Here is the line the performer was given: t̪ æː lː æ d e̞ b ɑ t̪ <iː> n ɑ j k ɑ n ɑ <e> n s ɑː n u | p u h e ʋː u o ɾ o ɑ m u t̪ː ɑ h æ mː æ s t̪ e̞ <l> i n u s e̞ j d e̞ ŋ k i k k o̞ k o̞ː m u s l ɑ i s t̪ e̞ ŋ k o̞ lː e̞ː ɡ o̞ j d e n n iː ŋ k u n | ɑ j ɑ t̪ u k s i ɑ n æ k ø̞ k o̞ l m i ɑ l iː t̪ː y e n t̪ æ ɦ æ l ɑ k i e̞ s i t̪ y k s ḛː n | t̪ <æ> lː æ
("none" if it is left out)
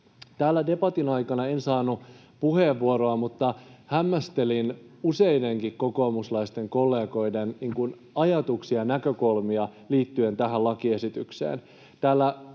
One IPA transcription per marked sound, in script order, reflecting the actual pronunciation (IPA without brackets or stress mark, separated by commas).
i, e, l, æː